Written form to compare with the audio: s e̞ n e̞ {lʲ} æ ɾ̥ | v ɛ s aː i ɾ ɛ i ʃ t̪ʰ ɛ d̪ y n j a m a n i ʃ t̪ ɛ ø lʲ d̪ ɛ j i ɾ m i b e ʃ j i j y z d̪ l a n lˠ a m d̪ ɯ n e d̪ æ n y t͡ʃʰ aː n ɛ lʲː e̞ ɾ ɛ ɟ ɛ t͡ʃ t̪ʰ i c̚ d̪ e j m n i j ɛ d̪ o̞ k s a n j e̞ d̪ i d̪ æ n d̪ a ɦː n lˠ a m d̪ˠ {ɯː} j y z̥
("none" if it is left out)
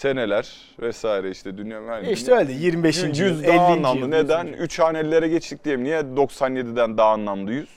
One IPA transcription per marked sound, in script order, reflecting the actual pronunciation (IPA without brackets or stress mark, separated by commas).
lʲ, ɯ